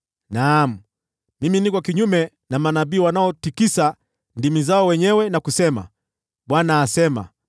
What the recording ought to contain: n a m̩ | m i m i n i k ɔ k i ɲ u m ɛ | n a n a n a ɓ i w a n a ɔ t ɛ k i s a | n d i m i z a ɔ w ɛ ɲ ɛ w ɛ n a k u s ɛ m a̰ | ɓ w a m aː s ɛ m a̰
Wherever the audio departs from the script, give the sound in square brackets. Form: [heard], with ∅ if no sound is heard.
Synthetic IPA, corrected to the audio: n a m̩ | m i m i n i k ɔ k i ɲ u m ɛ | n a [m] a n a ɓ [iː] w a n a ɔ t [i] k i s a | n d i m i z a ɔ w ɛ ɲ ɛ w ɛ n a k u s ɛ m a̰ | ɓ w a [n] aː s ɛ m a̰